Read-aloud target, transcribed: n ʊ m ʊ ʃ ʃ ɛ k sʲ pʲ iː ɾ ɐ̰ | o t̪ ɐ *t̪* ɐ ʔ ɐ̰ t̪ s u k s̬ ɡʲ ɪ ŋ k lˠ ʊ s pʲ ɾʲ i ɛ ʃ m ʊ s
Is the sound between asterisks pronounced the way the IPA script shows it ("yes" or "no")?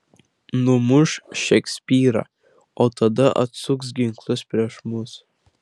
no